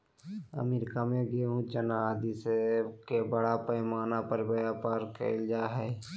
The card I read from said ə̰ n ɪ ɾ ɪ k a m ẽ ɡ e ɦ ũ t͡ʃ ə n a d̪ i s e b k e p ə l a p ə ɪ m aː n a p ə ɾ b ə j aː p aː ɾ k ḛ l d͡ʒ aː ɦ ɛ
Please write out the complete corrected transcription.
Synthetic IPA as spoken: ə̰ m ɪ ɾ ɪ k a m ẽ ɡ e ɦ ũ t͡ʃ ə n a d̪ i s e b k e b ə ɽ a p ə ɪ m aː n a p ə ɾ b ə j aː p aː ɾ k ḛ l d͡ʒ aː ɦ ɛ